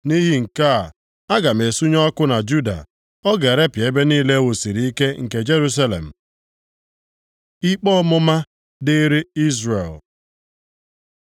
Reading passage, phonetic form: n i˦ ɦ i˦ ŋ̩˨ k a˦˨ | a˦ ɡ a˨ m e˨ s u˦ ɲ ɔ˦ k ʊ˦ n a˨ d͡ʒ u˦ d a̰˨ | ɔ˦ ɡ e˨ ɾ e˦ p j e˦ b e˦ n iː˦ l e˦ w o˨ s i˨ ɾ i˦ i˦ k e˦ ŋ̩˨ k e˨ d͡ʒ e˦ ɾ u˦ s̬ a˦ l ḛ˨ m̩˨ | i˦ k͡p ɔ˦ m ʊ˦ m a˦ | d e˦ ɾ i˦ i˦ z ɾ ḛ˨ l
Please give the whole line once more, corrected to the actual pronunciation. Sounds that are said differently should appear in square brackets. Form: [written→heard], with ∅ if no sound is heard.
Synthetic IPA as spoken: n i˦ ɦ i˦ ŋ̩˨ k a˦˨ | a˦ ɡ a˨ m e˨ s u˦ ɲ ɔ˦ k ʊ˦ n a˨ d͡ʒ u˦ d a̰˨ | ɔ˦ ɡ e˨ ɾ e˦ p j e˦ b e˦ n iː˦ l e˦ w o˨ s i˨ ɾ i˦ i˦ k e˦ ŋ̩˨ k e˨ d͡ʒ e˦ ɾ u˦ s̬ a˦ l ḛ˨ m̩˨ | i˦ k͡p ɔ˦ m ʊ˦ m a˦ | d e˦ ɾ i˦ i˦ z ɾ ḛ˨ l

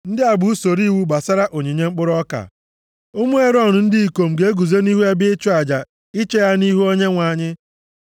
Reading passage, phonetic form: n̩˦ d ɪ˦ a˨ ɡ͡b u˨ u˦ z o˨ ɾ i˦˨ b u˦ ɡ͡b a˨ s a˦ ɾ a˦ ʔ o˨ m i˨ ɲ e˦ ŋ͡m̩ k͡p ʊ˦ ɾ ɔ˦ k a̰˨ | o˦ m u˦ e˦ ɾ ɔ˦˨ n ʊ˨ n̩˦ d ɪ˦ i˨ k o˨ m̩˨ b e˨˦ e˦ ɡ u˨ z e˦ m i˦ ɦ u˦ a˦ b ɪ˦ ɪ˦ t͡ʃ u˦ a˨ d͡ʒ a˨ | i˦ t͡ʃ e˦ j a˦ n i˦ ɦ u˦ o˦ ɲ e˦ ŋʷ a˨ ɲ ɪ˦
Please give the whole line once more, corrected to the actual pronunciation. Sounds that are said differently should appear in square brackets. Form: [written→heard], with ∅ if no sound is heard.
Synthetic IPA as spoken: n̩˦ d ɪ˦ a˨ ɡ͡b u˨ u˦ [z→s] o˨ ɾ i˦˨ [b→w] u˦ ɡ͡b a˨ s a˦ ɾ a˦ ʔ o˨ [m→ɲ] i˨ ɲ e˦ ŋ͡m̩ k͡p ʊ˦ ɾ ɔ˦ k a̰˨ | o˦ m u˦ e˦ ɾ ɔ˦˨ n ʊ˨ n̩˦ d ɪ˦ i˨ k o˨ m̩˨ [b→ɡ] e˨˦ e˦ ɡ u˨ z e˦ [m→n] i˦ ɦ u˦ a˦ b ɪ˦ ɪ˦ t͡ʃ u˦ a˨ d͡ʒ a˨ | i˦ t͡ʃ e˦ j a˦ n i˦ ɦ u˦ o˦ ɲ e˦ ŋʷ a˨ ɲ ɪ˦

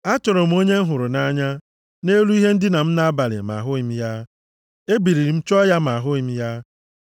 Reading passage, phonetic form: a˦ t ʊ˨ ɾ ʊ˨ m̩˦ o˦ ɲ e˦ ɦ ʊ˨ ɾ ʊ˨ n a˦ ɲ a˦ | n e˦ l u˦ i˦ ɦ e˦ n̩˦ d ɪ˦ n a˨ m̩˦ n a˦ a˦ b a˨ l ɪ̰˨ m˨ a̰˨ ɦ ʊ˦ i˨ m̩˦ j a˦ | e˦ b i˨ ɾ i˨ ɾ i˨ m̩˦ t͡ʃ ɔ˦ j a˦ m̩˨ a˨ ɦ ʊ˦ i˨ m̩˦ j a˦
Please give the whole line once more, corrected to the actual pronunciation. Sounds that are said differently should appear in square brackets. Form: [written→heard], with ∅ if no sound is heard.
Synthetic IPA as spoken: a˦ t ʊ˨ ɾ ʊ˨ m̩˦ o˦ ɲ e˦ ɦ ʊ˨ ɾ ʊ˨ n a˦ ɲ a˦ | n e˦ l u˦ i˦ ɦ e˦ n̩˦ d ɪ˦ n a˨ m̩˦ n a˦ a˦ b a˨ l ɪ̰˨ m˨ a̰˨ ɦ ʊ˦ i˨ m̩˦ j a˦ | e˦ b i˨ ɾ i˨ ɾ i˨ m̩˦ t͡ʃ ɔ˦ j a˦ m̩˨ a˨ ɦ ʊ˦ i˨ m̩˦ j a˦

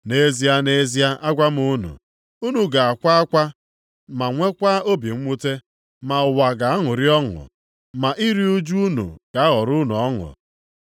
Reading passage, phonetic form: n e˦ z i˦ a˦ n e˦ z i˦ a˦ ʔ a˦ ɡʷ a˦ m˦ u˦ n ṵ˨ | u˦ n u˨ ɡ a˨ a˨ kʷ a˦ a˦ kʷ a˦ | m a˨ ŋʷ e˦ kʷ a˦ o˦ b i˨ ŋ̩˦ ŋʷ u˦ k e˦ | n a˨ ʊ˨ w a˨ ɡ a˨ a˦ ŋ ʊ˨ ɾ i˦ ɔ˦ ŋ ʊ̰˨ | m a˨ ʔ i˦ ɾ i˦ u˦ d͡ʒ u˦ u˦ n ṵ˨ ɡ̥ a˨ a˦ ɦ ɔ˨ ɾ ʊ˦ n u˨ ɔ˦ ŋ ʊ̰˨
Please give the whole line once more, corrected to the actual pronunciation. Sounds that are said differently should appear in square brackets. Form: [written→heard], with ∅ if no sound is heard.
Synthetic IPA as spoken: n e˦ z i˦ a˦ n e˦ z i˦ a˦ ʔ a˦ ɡʷ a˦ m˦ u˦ n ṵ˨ | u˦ n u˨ ɡ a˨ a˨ kʷ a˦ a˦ kʷ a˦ | m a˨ ŋʷ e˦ kʷ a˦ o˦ b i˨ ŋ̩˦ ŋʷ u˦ [k→t] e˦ | [n→m] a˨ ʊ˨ w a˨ ɡ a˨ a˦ ŋ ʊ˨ ɾ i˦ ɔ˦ ŋ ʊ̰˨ | m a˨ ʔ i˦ ɾ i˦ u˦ d͡ʒ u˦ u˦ n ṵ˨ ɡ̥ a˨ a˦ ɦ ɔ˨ ɾ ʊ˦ n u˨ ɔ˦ ŋ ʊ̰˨

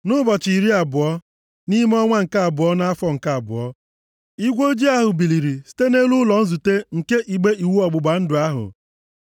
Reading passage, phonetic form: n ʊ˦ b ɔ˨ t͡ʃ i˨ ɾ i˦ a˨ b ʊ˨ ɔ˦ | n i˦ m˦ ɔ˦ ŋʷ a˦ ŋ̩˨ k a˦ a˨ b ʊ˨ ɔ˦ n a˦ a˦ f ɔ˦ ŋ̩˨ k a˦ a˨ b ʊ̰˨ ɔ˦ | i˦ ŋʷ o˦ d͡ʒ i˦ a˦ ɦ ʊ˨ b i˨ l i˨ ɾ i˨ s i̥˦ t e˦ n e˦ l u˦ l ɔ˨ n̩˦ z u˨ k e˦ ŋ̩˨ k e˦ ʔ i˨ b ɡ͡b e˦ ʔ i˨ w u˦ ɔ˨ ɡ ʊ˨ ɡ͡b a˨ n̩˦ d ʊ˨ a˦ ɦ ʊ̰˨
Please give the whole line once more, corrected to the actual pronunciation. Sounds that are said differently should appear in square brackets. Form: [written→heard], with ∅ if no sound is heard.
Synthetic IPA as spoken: n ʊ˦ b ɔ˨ t͡ʃ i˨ ɾ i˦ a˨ b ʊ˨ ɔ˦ | n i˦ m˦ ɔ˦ ŋʷ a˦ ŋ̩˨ k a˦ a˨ b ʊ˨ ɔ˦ n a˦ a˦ f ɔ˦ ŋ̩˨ k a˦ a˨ b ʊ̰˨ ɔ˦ | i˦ [ŋʷ→ɡʷ] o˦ d͡ʒ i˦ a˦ ɦ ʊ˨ b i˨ l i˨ ɾ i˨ s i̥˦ t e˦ n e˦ l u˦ l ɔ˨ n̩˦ z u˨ [k→t] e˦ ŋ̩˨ k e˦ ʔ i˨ [b→∅] ɡ͡b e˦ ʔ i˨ w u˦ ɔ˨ [ɡ→ɡ͡b] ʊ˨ ɡ͡b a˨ n̩˦ d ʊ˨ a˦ ɦ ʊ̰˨

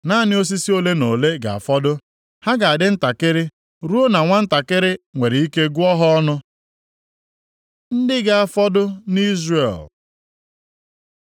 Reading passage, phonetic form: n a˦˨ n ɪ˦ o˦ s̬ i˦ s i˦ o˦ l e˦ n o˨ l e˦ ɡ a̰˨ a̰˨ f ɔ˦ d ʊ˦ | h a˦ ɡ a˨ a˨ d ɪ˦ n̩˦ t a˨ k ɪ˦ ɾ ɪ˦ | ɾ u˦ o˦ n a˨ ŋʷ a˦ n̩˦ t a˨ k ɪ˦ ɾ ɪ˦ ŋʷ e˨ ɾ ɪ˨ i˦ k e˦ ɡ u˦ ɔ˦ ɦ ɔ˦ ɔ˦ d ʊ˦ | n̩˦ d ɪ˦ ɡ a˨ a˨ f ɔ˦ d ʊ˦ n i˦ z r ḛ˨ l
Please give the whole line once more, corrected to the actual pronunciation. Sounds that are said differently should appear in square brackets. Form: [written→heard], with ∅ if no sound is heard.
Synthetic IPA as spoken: n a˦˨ n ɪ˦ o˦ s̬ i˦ s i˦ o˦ l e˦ n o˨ l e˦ ɡ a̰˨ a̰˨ f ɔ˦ d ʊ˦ | h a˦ ɡ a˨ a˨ d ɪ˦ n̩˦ t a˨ k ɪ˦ ɾ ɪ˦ | ɾ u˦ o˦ n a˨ ŋʷ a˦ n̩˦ t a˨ k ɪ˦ ɾ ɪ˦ ŋʷ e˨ ɾ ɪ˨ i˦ k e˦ ɡ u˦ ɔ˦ ɦ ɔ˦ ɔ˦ [d→n] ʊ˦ | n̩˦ d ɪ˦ ɡ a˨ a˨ f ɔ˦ d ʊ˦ n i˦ z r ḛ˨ l

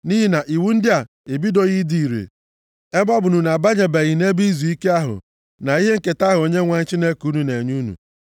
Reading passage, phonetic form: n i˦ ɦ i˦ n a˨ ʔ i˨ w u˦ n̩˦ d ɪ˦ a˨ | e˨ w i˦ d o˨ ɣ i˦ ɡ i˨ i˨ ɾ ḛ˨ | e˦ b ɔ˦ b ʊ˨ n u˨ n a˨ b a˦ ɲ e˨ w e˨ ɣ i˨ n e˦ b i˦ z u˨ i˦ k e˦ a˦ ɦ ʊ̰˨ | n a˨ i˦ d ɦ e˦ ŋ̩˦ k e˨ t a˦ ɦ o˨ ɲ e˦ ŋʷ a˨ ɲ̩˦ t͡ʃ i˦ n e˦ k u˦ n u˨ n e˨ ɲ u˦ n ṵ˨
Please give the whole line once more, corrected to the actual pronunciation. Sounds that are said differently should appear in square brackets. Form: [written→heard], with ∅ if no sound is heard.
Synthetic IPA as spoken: n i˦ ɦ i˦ n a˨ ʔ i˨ w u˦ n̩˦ d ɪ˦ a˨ | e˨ [w→b] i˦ d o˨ ɣ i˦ [ɡ→d] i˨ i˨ ɾ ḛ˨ | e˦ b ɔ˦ b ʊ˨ n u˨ n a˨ b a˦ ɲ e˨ [w→b] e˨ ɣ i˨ n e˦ b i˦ z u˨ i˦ k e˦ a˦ ɦ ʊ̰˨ | n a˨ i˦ [d→∅] ɦ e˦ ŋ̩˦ k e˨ t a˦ ɦ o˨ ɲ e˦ ŋʷ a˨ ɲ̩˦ t͡ʃ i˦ n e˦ k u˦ n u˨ n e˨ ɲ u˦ n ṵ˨

